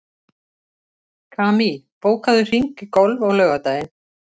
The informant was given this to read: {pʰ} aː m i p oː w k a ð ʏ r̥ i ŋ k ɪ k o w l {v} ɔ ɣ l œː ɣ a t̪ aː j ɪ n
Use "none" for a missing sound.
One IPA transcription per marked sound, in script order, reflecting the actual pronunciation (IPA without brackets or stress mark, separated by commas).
kʰ, v